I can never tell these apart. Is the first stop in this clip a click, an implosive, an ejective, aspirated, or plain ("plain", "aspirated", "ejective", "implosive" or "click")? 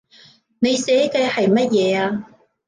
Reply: plain